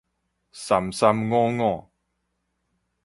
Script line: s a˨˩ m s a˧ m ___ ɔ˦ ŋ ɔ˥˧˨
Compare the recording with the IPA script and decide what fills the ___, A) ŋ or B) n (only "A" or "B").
A